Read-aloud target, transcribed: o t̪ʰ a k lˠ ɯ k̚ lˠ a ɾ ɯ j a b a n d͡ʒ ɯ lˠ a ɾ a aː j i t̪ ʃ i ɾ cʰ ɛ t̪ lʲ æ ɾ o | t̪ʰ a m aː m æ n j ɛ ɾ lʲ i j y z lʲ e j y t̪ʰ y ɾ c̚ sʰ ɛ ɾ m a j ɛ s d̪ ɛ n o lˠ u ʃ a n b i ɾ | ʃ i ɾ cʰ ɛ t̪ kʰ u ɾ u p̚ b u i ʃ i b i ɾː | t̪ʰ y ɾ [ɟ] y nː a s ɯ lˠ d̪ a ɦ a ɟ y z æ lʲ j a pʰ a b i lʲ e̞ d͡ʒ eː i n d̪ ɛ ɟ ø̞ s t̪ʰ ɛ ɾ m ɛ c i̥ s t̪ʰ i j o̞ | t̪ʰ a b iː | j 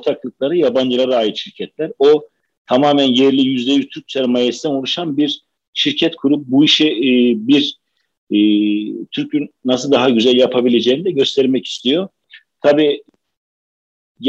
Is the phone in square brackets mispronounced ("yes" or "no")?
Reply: yes